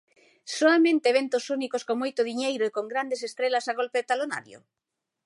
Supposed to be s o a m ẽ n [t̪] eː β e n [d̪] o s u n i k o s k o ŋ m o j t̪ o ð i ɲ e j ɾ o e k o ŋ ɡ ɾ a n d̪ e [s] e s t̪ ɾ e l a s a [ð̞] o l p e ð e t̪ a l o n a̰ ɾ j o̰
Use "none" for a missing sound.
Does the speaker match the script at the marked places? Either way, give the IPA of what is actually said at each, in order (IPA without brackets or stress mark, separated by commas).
t̪, t̪, s, ɣ̞